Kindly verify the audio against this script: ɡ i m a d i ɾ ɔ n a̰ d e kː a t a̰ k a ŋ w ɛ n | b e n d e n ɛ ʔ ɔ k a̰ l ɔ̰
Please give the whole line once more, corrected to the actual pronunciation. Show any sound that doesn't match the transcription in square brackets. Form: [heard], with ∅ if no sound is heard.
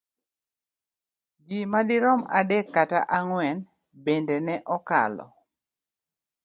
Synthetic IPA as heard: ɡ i m a d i ɾ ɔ [m] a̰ d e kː a t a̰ [ʔ] a ŋ w ɛ n | b e n d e n ɛ ʔ ɔ k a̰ l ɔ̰